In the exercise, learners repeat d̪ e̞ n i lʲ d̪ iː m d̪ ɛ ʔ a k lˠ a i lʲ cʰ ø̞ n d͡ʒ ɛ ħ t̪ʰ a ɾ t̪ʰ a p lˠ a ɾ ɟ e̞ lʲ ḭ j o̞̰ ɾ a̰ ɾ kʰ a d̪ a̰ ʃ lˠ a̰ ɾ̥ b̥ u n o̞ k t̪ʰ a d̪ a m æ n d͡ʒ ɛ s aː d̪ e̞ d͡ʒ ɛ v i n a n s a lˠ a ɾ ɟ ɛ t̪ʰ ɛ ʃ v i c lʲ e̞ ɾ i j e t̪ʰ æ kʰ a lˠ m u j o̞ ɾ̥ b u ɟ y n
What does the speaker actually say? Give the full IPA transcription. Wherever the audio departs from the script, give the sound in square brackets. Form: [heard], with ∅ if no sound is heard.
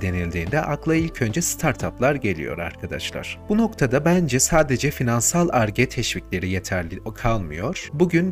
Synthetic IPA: d̪ e̞ n i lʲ d̪ iː [n] d̪ ɛ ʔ a k lˠ a i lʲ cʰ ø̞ n d͡ʒ ɛ [s] t̪ʰ a ɾ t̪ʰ a p lˠ a ɾ ɟ e̞ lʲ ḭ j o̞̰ ɾ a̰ ɾ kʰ a d̪ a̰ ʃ lˠ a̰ ɾ̥ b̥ u n o̞ k t̪ʰ a d̪ a [b] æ n d͡ʒ ɛ s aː d̪ e̞ d͡ʒ ɛ [f] i n a n s a lˠ a ɾ ɟ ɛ t̪ʰ ɛ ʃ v i c lʲ e̞ ɾ i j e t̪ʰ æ kʰ a lˠ m [ɯ] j o̞ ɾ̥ b u ɟ y n